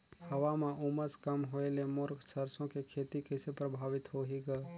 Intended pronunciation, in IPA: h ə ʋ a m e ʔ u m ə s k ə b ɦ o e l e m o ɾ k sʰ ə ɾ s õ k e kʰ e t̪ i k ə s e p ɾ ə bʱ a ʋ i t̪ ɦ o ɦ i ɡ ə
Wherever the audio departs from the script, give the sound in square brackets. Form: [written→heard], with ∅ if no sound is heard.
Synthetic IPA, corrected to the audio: h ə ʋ a m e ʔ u m ə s k ə [b→m] ɦ o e l e m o ɾ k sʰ ə ɾ s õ k e kʰ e t̪ i k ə s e p ɾ ə bʱ a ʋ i t̪ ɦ o ɦ i ɡ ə